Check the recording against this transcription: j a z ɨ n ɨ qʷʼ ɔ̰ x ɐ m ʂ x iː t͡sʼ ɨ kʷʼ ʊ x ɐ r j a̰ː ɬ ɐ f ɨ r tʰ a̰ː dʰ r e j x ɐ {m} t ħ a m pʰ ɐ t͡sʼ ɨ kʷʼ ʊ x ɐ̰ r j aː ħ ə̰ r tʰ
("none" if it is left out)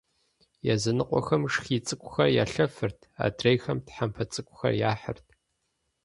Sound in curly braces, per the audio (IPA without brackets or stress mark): m